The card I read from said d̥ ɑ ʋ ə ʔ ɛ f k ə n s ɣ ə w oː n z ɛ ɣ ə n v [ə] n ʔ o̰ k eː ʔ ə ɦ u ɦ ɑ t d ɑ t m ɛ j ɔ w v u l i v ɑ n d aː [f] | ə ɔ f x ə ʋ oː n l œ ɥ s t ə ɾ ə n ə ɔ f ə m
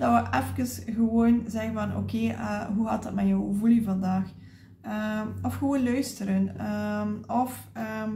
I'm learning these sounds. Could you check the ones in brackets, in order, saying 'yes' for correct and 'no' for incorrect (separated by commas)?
no, no